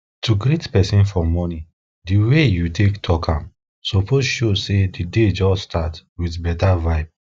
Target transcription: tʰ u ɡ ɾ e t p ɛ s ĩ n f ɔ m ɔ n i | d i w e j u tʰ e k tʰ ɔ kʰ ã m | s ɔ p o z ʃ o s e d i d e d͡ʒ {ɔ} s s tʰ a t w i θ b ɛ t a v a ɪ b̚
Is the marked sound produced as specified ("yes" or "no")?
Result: yes